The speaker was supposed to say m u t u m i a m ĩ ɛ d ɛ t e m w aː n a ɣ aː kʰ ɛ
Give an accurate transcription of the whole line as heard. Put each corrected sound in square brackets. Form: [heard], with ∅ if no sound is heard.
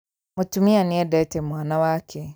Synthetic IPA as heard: m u t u m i a [n] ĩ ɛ d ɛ t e m w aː n a [w] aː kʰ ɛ

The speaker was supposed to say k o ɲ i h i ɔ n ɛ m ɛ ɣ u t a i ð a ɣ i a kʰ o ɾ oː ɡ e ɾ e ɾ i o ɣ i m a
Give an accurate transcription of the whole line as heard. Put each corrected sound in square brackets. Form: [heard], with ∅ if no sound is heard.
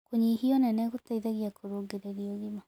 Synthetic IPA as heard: k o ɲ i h i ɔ n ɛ [n] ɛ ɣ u t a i ð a ɣ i a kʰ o ɾ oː ɡ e ɾ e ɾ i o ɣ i m a

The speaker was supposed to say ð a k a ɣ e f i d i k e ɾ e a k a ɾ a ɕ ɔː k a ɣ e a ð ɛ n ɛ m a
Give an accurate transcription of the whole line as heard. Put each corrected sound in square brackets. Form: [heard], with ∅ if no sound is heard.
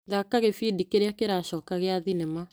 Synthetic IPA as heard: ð a k a ɣ e f i d i k e ɾ e a k [e] ɾ a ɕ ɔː k a ɣ e a ð [i] n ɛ m a

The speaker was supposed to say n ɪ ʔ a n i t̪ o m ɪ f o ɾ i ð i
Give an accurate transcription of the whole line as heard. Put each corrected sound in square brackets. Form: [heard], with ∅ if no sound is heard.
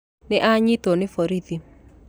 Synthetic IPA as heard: n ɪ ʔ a [ɲ] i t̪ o [n] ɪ f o ɾ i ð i

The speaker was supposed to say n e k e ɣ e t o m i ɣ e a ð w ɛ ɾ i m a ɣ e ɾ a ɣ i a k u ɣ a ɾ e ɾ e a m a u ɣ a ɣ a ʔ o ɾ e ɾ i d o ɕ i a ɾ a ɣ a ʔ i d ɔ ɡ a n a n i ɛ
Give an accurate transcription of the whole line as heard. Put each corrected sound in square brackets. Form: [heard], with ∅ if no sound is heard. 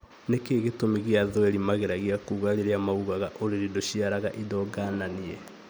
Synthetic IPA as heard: n e k e ɣ e t o m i ɣ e a ð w ɛ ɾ i m a ɣ e ɾ a ɣ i a k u ɣ a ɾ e ɾ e a m a u ɣ a ɣ a ʔ o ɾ e ɾ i d o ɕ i a ɾ a ɣ a ʔ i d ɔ ɡ a n a n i ɛ

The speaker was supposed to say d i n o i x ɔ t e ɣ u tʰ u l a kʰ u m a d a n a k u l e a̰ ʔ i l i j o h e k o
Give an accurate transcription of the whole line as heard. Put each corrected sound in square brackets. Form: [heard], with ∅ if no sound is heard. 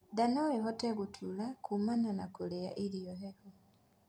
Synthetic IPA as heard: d [a] n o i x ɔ t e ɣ u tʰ u l a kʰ u m a [n] a n a k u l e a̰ ʔ i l i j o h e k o

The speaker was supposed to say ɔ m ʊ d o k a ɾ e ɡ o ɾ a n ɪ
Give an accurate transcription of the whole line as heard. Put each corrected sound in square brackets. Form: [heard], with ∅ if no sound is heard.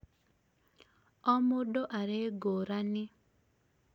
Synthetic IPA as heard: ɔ m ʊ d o [ʔ] a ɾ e ɡ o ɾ a n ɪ

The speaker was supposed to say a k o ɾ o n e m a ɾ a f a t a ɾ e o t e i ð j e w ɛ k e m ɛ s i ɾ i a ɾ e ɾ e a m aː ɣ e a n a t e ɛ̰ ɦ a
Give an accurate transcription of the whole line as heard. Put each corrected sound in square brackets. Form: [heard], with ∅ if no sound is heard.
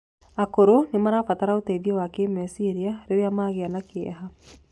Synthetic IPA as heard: a k o ɾ o n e m a ɾ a f a t a ɾ [a] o t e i ð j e w [a] k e m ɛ s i ɾ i a ɾ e ɾ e a m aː ɣ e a n a [k] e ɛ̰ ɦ a

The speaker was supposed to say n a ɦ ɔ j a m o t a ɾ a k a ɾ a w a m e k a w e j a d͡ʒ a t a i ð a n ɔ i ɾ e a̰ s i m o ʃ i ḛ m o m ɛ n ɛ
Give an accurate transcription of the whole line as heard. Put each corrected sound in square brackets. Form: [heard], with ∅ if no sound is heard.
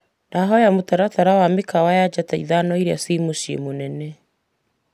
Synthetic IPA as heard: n a ɦ ɔ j a m o t a ɾ a [t] a ɾ a w a m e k a w [a] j a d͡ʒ a t a i ð a n ɔ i ɾ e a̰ s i m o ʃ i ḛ m o [n] ɛ n ɛ

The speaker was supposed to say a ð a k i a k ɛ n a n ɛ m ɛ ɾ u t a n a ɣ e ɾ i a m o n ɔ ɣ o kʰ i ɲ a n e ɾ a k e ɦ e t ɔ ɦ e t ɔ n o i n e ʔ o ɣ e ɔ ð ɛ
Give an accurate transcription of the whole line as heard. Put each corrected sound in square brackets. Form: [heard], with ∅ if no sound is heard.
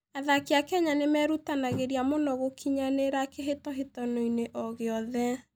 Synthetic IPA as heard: a ð a k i a k ɛ [ɲ] a n [e] m ɛ ɾ u t a n a ɣ e ɾ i a m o n ɔ ɣ o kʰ i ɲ a n e ɾ a k e ɦ e t ɔ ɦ e t ɔ n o i n e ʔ [ɔ] ɣ e ɔ ð ɛ

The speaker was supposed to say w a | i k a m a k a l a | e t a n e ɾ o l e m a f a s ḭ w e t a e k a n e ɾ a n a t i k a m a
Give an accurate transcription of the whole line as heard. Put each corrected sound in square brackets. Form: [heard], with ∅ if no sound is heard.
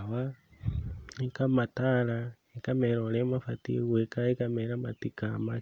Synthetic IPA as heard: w a | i k a m a [t] a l a | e [k] a [m] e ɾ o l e m a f a [t] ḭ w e [k] a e k a [m] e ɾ a [m] a t i k a m a

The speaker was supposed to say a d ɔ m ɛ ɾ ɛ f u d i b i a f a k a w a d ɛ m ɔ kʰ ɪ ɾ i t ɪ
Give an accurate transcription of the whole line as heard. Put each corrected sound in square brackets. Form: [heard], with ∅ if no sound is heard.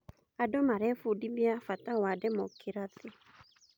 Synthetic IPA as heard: a d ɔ m [a] ɾ ɛ f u d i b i a f a [t] a w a d ɛ m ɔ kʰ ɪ ɾ [a] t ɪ

